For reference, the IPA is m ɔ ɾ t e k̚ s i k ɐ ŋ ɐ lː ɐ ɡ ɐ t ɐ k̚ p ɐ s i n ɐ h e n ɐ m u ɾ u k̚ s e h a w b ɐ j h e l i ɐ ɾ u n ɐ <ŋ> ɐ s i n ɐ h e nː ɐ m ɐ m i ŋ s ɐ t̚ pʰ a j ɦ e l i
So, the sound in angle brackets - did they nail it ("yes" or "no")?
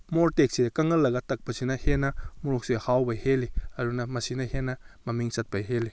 no